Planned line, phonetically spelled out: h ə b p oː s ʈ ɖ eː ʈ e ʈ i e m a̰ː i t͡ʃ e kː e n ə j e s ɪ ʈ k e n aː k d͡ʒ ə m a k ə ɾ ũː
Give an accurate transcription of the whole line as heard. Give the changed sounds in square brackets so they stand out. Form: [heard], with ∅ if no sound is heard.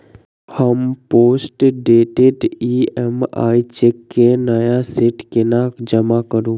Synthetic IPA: h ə [m] p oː s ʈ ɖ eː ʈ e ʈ i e m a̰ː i t͡ʃ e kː e n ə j [a] s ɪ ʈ k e n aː k d͡ʒ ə m a k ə ɾ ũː